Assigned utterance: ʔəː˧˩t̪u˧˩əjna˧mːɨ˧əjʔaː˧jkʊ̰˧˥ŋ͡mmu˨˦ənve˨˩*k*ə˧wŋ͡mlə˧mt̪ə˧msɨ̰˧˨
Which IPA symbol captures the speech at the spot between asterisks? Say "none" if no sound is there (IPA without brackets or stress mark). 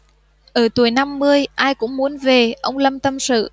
ʔ